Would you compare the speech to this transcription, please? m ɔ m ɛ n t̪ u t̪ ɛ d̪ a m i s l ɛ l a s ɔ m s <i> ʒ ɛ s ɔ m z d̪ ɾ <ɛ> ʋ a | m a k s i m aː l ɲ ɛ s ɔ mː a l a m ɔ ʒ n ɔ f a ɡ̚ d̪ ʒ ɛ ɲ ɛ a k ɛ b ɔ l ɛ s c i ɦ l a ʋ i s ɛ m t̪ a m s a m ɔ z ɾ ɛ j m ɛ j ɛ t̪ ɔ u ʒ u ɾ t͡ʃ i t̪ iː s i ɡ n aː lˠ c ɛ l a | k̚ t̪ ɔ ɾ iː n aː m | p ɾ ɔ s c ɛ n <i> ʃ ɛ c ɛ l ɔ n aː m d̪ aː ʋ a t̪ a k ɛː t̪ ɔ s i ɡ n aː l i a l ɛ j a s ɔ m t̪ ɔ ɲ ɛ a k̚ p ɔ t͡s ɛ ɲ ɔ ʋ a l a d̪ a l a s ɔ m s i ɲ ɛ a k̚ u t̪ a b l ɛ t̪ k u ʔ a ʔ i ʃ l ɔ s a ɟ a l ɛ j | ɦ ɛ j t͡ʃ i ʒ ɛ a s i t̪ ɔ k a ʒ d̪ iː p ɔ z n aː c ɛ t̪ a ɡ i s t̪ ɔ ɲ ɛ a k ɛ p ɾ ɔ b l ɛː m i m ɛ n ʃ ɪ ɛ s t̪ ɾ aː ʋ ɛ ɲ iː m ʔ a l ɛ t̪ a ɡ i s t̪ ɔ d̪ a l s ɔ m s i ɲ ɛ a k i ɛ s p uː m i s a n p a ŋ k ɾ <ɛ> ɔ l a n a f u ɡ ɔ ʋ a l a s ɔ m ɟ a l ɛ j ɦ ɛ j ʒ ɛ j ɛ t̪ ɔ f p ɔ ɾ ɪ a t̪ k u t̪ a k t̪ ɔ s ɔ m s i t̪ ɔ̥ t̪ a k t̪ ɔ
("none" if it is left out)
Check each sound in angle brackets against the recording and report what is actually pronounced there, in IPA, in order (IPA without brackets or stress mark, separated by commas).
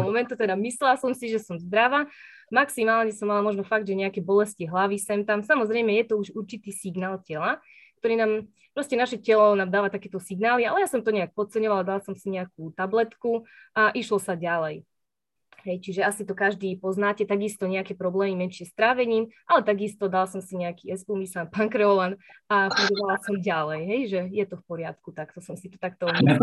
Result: i, a, a, ɛ